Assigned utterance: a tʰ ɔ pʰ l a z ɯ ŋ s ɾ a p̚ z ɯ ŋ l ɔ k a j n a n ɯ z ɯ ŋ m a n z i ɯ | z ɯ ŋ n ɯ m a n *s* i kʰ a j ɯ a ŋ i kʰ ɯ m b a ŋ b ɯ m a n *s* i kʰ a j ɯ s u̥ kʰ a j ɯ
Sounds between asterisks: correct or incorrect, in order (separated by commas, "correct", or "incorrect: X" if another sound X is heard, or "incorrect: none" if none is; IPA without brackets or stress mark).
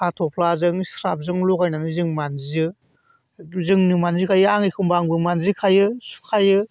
incorrect: z, incorrect: z